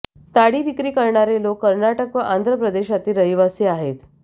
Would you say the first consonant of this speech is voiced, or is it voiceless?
voiceless